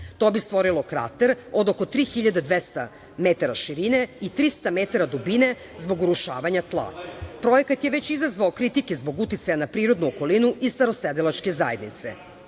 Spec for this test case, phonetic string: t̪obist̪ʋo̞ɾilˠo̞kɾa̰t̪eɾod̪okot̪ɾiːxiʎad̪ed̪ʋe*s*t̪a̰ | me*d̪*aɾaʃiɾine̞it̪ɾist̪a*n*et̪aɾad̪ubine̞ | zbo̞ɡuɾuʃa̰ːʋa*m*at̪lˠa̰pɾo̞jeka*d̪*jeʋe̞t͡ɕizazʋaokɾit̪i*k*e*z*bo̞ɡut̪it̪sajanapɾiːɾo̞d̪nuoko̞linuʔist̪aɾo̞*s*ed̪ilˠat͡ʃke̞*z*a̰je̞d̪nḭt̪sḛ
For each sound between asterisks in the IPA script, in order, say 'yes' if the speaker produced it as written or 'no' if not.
yes, no, no, no, no, yes, yes, yes, yes

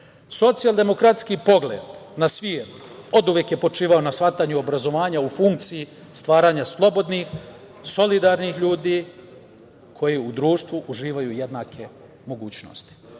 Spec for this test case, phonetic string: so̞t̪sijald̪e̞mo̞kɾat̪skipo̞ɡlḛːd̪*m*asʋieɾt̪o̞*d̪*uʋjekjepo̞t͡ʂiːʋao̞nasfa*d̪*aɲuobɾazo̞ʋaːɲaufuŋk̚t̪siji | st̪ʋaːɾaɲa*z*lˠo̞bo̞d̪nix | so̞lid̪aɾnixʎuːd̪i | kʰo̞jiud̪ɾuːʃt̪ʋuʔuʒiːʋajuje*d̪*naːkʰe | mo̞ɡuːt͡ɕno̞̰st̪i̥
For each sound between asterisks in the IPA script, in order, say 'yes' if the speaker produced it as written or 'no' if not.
no, yes, no, no, yes

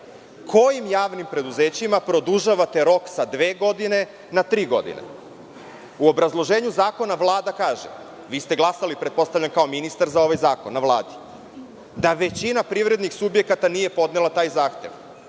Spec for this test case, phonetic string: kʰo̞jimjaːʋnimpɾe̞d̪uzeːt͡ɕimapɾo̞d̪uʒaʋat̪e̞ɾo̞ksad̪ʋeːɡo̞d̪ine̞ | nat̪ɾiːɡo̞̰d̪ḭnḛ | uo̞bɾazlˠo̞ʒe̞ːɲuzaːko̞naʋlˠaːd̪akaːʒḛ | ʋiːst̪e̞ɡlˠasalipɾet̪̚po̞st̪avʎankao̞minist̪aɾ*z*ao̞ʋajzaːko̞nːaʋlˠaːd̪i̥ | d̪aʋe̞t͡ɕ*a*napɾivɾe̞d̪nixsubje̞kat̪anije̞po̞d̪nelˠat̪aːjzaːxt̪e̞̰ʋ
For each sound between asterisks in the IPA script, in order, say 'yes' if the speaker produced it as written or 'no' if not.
yes, no

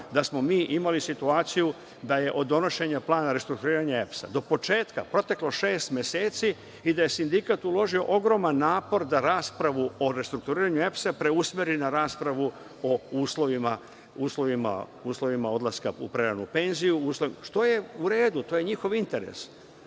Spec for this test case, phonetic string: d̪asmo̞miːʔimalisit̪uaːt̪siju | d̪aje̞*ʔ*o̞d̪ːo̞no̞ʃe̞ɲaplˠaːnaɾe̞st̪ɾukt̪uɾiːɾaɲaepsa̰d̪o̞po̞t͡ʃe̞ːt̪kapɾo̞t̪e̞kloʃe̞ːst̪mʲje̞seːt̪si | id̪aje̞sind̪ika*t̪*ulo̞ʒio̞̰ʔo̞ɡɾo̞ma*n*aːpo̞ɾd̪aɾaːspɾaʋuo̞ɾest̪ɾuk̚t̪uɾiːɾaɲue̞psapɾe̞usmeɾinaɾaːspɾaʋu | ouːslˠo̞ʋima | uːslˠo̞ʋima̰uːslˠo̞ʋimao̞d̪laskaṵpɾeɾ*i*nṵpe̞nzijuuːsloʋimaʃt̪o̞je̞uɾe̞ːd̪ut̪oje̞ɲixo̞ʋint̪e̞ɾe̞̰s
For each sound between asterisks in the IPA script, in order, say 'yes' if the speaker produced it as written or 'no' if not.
yes, yes, no, no

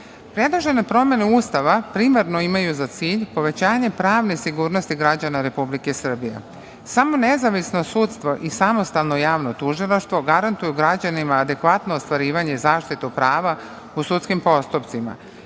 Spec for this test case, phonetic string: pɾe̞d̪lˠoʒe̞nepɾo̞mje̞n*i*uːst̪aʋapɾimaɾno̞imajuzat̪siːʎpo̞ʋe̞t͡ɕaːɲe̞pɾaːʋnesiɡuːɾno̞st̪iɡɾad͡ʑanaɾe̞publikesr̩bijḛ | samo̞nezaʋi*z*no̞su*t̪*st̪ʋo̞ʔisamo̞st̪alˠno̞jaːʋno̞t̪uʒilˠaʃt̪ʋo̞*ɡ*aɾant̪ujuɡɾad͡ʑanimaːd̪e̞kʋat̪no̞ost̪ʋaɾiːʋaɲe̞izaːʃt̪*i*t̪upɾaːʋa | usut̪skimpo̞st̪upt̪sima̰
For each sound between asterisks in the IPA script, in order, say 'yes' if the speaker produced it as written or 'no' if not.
no, no, yes, yes, yes

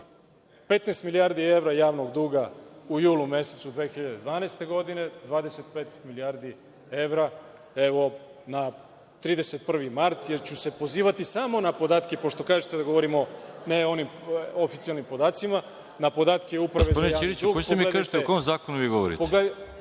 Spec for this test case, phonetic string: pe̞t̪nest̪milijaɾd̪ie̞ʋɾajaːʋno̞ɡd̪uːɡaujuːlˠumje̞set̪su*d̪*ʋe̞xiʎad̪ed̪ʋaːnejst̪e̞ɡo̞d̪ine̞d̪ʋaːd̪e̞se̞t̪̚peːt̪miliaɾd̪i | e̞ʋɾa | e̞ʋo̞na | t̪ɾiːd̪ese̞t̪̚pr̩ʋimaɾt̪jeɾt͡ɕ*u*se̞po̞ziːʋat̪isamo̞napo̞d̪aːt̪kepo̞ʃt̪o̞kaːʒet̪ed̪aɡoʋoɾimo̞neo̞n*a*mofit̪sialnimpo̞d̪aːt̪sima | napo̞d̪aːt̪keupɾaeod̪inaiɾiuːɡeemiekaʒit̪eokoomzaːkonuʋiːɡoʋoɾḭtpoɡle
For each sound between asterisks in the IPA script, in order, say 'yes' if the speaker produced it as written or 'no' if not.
yes, yes, no

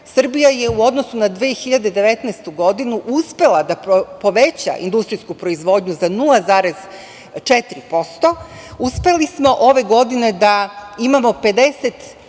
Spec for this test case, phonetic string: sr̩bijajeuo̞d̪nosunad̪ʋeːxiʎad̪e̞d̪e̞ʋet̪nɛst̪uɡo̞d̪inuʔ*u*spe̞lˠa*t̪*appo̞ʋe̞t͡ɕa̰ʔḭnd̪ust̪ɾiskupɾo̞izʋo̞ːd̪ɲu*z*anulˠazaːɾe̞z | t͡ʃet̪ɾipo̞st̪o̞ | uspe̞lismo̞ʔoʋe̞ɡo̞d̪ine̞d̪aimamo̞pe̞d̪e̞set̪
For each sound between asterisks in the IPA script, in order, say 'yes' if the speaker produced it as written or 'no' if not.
yes, no, yes

